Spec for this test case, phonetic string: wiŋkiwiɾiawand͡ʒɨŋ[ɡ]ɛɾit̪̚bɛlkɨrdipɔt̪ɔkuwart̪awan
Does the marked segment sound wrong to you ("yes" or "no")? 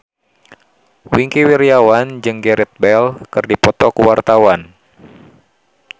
no